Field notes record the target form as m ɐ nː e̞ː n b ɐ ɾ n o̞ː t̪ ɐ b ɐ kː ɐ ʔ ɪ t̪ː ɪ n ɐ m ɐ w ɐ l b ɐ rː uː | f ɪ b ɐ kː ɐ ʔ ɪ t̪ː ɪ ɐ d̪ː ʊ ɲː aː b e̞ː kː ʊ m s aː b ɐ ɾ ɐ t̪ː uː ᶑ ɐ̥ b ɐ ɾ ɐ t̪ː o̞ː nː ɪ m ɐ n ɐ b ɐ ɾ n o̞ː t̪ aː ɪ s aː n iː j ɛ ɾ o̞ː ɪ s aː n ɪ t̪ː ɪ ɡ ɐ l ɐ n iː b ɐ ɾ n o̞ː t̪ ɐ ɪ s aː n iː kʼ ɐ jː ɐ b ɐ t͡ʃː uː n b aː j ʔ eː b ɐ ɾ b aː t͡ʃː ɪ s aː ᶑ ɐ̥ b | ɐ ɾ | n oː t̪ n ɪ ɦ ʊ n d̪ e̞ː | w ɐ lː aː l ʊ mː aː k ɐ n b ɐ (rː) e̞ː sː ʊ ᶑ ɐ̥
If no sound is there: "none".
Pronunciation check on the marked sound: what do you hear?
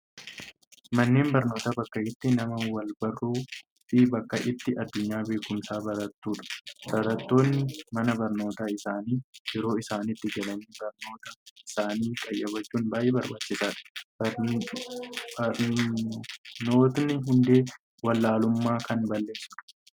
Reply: lː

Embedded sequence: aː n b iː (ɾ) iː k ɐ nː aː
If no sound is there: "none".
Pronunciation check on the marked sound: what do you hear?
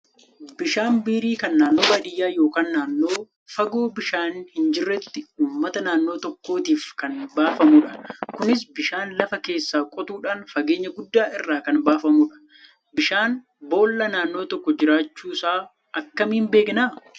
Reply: ɾ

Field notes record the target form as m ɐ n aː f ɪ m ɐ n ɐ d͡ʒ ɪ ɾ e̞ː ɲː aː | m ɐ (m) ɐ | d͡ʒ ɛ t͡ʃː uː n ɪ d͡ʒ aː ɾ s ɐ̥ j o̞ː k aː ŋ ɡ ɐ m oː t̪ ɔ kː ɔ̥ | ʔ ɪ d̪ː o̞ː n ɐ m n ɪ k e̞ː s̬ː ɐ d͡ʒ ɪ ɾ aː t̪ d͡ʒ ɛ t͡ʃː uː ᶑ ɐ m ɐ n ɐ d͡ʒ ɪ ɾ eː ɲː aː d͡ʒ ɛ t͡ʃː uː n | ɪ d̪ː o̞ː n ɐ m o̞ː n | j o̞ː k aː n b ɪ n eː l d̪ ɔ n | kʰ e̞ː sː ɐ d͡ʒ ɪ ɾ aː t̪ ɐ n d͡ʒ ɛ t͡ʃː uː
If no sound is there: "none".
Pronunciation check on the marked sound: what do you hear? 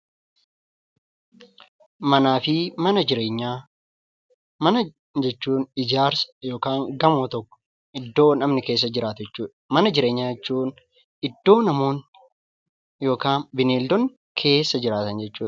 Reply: n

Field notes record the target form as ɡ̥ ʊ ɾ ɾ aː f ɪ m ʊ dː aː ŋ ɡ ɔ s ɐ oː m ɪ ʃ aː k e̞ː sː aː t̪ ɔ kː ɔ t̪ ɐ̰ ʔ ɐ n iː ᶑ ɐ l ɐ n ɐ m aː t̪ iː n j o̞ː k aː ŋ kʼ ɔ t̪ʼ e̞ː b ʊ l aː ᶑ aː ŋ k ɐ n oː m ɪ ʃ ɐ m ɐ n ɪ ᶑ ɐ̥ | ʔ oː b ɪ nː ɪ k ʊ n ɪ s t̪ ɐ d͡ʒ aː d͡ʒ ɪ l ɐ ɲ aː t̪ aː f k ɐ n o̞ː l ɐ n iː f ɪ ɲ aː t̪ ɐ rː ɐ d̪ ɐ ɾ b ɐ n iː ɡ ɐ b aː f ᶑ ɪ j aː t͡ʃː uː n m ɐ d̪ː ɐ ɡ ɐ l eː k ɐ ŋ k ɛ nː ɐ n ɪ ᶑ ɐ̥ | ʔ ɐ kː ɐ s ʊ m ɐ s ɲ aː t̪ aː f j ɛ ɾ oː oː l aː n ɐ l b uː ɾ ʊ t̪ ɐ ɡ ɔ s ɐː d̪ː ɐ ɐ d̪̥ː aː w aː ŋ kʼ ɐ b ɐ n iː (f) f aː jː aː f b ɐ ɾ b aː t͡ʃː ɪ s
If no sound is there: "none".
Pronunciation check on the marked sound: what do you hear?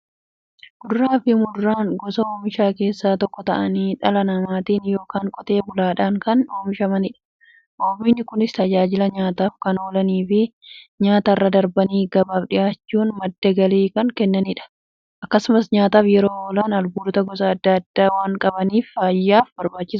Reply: f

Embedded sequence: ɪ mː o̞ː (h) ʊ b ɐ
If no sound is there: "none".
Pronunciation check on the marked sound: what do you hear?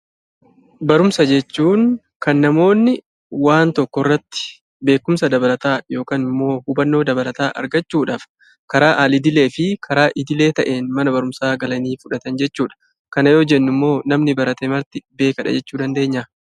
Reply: h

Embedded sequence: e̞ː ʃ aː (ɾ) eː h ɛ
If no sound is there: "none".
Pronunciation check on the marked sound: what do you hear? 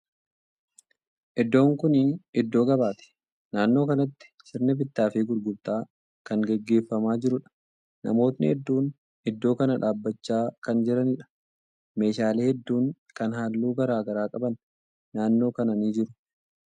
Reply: l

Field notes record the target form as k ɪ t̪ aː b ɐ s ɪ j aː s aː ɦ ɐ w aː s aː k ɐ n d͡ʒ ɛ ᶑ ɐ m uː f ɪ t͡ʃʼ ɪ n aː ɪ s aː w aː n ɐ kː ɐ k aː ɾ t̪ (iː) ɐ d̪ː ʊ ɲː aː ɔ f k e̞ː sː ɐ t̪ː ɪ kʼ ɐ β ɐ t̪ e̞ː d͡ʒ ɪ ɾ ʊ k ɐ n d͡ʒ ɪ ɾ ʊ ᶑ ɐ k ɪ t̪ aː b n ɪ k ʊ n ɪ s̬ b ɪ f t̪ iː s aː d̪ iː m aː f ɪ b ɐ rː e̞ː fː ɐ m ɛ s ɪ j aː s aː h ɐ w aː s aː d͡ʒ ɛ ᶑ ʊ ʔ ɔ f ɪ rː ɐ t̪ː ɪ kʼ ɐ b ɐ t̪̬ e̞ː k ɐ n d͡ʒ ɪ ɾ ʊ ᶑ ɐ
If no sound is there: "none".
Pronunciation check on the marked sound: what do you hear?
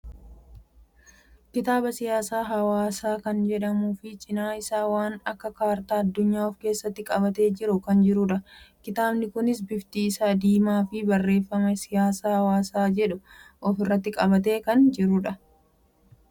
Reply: aː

